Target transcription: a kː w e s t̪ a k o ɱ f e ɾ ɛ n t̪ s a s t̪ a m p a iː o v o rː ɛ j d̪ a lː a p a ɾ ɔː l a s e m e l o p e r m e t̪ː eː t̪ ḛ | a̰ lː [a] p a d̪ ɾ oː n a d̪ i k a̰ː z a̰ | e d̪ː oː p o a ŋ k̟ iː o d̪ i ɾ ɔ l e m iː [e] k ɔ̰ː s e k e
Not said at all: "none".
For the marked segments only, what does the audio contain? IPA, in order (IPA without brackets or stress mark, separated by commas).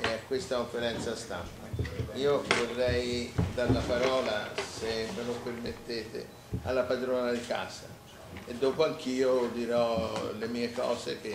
a, e